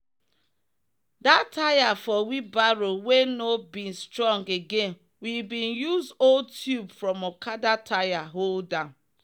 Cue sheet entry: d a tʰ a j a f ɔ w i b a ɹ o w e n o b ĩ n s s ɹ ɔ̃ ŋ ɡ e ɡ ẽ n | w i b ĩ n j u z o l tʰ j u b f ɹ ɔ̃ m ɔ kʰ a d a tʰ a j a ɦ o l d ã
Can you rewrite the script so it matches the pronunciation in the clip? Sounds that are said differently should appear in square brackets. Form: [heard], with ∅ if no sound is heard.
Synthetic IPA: d a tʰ a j a f ɔ w i b a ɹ o w e n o b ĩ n s [t] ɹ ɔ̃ ŋ ɡ e ɡ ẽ n | w i b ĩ n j u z o l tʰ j u b f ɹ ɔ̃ m ɔ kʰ a d a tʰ a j a ɦ o l d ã